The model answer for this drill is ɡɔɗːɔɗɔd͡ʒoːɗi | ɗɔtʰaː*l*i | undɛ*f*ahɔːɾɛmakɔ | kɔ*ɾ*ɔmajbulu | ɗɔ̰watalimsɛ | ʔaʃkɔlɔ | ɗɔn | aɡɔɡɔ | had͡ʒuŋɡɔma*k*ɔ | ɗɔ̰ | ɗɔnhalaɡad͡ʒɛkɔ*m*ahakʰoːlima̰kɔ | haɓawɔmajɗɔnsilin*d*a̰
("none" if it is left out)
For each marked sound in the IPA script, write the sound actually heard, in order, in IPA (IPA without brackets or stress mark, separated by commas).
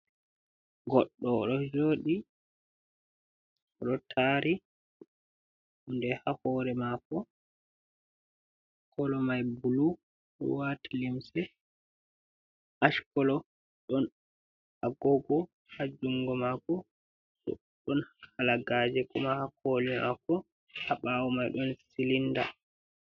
ɾ, h, l, k, m, d